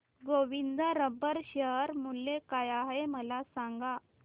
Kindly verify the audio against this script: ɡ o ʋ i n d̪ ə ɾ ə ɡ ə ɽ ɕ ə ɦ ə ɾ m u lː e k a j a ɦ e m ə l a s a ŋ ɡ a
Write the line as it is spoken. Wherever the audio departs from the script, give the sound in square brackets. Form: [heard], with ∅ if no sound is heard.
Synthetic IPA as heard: ɡ o ʋ i n d̪ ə ɾ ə [b] ə [ɾ] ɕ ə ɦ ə ɾ m u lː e k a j a ɦ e m ə l a s a ŋ ɡ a

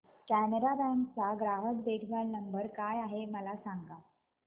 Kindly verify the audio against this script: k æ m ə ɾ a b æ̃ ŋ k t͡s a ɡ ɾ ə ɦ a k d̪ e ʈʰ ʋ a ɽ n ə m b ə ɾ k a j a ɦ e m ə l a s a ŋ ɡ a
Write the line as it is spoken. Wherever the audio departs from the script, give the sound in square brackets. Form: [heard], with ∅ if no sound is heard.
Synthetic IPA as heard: k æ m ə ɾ a b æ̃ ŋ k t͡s a ɡ ɾ [a] ɦ [ə] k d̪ e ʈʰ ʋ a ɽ n ə m b ə ɾ k a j a ɦ e m ə l a s a ŋ ɡ a

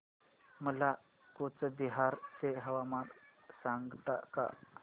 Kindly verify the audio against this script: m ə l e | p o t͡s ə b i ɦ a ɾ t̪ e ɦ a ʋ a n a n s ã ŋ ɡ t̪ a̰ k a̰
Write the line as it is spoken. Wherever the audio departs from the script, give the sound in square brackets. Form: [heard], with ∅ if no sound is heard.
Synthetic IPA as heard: m ə l [a] | [k] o t͡s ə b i ɦ a ɾ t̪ e ɦ [ə] ʋ a [m] a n s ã ŋ ɡ t̪ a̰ k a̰

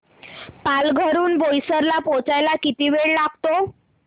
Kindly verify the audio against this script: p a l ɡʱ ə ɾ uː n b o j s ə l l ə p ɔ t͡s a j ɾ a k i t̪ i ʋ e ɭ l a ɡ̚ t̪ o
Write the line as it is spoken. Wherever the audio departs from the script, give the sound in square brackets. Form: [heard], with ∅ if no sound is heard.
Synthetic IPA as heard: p a l ɡʱ ə ɾ uː n b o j s ə [ɾ] l [a] p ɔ t͡s a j [l] a k i t̪ i ʋ e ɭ l a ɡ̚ t̪ o

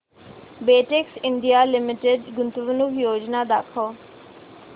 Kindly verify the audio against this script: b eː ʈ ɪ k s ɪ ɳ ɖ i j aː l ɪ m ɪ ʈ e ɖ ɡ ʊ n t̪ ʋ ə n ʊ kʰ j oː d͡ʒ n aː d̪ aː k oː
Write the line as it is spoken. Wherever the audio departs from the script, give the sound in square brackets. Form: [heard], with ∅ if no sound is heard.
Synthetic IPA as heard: b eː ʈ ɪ k s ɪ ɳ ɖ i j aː l ɪ m ɪ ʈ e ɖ ɡ ʊ n t̪ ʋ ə n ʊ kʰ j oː d͡ʒ n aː d̪ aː [kʰ] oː

